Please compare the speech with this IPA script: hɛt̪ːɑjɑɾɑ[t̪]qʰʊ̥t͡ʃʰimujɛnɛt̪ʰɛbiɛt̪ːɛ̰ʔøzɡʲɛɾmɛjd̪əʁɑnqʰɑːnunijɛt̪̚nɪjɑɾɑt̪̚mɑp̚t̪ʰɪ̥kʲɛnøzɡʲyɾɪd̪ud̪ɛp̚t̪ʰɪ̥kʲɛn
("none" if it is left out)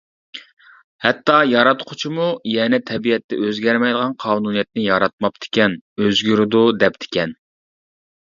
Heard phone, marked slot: t̪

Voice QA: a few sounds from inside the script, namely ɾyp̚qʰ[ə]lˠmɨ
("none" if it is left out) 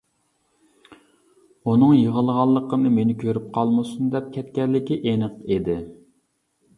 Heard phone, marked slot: ɑ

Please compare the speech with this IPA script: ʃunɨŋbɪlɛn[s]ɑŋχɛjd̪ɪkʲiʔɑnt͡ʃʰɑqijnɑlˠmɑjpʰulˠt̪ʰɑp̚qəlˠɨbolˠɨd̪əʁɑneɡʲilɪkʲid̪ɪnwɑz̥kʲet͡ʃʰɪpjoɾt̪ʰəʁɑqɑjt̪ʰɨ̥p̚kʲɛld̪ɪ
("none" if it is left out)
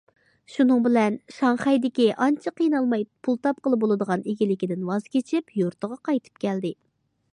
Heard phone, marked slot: ʃ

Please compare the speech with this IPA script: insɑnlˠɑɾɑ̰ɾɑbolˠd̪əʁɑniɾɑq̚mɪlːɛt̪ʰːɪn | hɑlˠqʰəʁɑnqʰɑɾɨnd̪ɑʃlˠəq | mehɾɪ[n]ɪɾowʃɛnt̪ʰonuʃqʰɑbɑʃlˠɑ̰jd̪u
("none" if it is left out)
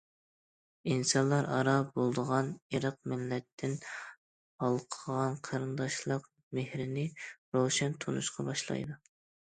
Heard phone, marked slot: n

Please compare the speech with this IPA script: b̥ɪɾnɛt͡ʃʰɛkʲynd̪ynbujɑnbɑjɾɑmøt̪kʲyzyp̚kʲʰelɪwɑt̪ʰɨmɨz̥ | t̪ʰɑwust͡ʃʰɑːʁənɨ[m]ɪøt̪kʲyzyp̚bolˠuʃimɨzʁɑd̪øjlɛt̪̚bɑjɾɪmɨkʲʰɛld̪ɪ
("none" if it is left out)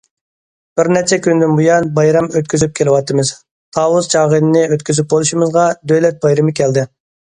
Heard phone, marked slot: n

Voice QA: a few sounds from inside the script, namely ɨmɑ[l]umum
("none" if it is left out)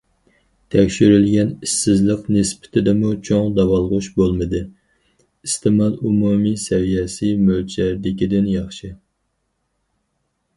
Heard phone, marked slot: l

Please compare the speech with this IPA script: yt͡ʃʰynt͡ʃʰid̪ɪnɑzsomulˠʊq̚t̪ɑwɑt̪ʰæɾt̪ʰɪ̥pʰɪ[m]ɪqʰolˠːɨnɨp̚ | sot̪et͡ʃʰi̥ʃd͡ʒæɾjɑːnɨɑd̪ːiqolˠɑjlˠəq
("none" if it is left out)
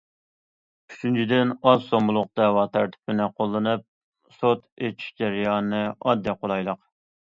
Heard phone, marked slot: n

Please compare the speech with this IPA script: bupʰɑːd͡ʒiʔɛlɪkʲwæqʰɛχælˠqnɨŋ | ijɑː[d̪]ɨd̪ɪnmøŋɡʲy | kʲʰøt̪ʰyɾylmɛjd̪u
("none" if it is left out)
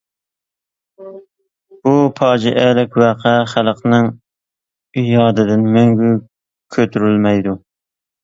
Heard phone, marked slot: d̪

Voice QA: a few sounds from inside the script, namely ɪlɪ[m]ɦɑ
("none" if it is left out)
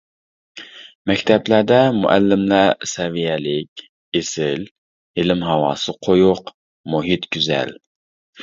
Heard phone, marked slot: m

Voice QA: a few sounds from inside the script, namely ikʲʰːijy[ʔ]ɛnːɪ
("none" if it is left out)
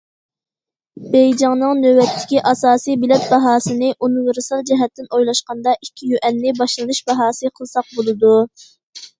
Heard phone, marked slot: ʔ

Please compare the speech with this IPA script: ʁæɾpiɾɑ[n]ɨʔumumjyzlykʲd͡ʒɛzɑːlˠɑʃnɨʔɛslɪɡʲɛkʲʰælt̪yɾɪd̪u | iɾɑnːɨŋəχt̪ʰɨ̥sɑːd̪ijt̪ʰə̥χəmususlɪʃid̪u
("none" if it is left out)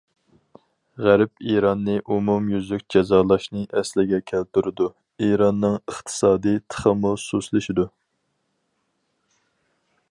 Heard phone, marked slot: nː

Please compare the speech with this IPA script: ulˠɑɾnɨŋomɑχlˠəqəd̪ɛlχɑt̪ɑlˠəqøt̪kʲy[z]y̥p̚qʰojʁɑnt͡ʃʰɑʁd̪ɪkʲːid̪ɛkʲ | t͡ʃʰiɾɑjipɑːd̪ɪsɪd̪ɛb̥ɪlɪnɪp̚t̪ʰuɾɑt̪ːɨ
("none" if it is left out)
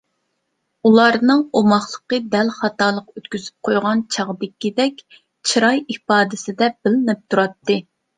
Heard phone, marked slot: z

